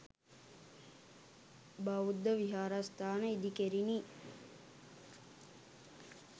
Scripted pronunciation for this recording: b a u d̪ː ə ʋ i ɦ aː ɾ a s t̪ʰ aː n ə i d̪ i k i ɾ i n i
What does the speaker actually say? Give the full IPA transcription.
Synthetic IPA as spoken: b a u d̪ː ə ʋ i ɦ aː ɾ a s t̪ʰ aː n ə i d̪ i k e ɾ i n i